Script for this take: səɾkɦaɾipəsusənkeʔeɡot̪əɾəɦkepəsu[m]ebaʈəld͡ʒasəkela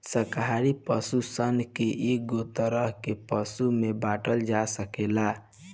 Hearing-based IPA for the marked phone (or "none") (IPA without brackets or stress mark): m